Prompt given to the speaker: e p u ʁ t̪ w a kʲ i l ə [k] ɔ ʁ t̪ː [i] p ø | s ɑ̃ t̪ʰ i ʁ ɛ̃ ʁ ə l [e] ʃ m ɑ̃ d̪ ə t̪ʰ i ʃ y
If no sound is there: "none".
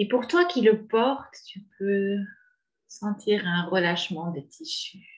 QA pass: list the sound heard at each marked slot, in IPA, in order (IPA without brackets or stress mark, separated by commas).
p, y, a